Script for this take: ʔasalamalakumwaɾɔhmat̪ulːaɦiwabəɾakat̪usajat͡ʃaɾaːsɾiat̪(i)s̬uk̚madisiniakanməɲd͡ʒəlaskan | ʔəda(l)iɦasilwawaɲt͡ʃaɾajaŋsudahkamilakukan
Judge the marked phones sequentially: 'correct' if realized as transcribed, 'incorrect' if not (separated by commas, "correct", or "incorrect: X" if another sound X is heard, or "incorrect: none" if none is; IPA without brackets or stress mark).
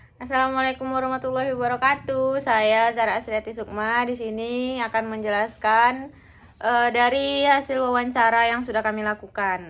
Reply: correct, incorrect: ɾ